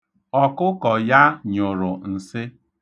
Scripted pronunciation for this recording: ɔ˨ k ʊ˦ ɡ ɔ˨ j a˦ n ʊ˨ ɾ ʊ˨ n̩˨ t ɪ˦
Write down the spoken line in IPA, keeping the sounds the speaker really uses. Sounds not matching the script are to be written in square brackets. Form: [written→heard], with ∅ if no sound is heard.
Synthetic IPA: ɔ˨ k ʊ˦ [ɡ→k] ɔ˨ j a˦ [n→ɲ] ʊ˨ ɾ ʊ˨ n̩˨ [t→s] ɪ˦